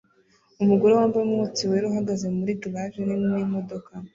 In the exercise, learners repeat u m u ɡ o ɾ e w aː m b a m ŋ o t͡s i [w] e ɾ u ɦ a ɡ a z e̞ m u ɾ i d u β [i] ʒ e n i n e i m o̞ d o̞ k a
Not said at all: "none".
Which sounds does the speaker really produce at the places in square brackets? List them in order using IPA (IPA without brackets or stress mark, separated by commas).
w, a